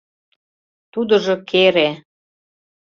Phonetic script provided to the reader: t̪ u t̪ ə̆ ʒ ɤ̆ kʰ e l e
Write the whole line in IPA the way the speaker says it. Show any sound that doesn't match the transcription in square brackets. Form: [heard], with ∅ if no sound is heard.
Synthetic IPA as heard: t̪ u [d̪] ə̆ ʒ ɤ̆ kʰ e [ɾ] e